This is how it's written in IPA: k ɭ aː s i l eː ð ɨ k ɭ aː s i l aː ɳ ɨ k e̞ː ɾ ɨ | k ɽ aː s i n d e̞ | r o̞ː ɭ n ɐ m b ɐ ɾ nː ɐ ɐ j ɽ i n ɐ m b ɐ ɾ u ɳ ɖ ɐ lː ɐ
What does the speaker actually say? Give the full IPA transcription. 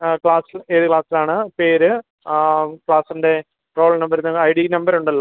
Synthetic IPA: k ɭ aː s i l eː ð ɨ k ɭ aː s i l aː ɳ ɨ p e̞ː ɾ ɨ | k ɭ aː s i n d e̞ | r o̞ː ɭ n ɐ m b ɐ ɾ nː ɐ ɐ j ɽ i n ɐ m b ɐ ɾ u ɳ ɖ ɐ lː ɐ